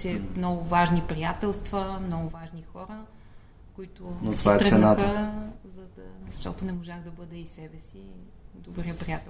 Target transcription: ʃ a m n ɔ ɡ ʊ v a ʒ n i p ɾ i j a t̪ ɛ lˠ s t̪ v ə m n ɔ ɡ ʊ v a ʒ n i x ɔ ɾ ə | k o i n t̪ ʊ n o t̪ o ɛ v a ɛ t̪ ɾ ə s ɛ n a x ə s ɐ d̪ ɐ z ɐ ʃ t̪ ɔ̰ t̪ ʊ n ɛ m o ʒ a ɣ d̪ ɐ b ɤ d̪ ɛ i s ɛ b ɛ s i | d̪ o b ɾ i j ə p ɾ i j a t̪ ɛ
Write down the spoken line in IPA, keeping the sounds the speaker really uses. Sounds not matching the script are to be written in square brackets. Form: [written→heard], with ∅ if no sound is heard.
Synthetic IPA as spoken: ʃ [a→ɛ] m n ɔ ɡ ʊ v a ʒ n i p ɾ i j a t̪ ɛ lˠ s t̪ v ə m n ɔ ɡ ʊ v a ʒ n i x ɔ ɾ ə | k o i [n→∅] t̪ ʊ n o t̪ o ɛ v a ɛ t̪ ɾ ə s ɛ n a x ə [s→z] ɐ d̪ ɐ z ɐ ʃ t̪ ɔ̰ t̪ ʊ n ɛ m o ʒ a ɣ d̪ ɐ b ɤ d̪ ɛ i s ɛ b ɛ s i | d̪ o b ɾ i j ə p ɾ i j a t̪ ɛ